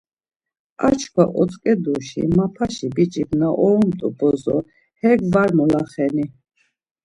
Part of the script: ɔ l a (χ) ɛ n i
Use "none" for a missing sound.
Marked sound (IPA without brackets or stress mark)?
χ